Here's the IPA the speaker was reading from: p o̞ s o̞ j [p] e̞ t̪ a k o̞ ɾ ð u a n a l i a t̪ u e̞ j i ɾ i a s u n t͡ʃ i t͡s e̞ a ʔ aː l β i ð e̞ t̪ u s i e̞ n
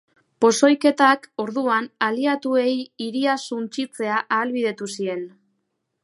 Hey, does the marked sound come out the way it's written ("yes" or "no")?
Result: no